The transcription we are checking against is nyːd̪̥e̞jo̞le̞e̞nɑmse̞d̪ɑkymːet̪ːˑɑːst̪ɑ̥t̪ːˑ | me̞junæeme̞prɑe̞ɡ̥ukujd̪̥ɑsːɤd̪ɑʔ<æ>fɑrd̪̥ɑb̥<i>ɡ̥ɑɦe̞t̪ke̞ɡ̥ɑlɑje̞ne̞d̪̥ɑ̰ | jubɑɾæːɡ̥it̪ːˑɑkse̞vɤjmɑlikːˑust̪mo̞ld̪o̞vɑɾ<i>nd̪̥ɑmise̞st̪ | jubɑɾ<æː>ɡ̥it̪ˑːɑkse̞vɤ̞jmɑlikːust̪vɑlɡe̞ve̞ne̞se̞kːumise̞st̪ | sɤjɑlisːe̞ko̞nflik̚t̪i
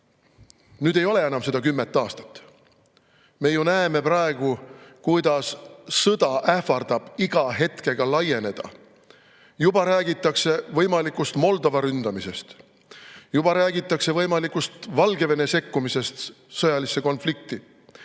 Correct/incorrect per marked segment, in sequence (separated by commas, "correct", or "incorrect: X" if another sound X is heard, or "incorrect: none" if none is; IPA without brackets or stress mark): correct, correct, incorrect: y, correct